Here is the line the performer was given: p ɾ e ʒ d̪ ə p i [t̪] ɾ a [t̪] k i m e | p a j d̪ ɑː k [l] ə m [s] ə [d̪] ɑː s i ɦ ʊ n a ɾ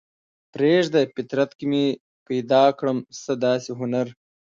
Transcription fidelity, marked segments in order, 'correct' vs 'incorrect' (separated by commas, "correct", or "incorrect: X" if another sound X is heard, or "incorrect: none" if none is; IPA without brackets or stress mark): correct, correct, incorrect: ɽ, correct, correct